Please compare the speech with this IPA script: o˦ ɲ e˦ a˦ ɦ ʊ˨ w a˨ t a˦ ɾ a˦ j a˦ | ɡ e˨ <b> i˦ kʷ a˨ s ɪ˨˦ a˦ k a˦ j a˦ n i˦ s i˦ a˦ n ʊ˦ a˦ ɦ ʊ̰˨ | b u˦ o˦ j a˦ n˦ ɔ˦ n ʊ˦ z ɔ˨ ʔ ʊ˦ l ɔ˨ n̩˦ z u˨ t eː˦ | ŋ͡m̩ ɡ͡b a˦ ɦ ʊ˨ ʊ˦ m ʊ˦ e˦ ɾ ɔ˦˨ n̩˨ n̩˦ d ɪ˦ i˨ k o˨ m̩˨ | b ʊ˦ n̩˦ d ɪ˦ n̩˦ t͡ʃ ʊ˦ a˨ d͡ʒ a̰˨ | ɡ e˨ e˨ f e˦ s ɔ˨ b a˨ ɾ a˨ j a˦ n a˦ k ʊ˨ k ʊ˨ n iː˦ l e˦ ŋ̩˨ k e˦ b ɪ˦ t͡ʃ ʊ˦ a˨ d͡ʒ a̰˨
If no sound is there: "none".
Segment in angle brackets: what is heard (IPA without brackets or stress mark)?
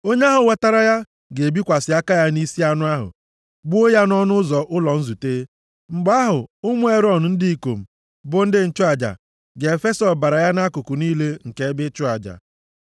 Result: b